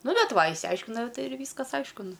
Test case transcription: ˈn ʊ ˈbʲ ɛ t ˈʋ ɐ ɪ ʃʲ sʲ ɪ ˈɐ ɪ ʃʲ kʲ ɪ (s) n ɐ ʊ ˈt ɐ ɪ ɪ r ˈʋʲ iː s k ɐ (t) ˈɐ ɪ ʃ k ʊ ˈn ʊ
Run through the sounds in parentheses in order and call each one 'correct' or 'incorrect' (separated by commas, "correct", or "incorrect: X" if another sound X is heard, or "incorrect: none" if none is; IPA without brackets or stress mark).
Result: incorrect: none, incorrect: s